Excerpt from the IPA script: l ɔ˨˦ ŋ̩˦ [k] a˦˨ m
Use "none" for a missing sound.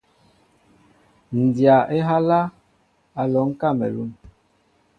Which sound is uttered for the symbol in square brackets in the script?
k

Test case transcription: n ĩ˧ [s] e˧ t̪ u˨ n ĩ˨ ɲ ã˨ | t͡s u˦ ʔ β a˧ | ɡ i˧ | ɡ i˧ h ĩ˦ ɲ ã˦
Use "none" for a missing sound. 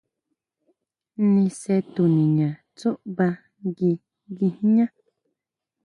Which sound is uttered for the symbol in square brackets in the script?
s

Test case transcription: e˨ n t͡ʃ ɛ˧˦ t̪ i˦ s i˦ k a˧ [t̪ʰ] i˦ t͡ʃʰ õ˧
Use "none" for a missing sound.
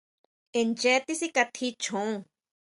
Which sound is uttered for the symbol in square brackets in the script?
t̪ʰ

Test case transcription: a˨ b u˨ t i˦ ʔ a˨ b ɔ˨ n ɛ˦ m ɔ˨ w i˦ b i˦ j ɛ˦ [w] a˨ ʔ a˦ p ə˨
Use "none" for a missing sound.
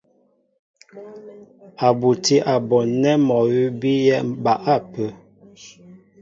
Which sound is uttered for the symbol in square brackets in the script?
b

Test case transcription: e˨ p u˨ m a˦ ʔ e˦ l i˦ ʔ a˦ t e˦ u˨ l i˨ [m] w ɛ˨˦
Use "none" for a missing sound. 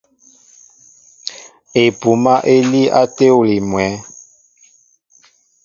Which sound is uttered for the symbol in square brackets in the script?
m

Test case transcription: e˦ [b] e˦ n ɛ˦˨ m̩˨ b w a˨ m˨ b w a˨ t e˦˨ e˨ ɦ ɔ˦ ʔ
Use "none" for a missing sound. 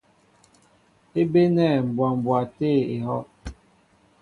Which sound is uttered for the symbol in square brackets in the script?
b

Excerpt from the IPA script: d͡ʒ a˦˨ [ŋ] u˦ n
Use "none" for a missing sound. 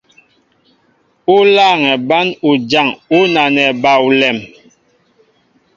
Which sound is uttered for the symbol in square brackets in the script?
ŋ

